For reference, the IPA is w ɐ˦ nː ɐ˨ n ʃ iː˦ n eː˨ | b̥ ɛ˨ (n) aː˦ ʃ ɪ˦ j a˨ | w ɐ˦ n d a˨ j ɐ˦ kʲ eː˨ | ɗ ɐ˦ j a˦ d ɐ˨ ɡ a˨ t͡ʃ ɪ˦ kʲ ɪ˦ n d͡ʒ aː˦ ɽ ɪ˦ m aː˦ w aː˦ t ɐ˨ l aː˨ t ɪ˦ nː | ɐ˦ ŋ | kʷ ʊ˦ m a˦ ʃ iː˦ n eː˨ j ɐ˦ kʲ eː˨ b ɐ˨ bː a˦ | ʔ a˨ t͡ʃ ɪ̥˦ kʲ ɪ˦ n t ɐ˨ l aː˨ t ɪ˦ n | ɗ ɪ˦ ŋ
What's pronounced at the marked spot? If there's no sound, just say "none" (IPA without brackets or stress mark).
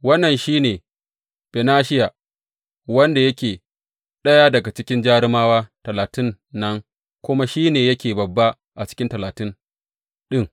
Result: n